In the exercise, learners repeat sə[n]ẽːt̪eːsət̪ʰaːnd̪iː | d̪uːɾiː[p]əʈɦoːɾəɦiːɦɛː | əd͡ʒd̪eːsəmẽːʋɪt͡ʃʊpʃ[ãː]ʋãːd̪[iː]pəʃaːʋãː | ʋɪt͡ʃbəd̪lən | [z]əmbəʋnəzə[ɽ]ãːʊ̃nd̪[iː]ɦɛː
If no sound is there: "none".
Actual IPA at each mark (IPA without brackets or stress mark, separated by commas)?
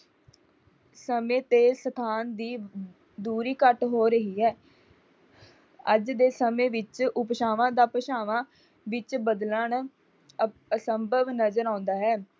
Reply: m, k, aː, aː, s, ɾ, aː